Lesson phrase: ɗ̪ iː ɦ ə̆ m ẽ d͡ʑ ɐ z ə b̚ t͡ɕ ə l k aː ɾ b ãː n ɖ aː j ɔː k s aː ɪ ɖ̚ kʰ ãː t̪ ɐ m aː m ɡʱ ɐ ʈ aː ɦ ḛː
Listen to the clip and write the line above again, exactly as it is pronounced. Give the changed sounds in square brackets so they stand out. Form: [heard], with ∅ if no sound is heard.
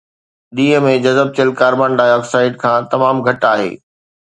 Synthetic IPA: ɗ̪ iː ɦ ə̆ m ẽ d͡ʑ ɐ z ə b̚ t͡ɕ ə l k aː ɾ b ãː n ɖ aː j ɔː k s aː ɪ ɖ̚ kʰ ãː t̪ ɐ m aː m ɡʱ ɐ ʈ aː ɦ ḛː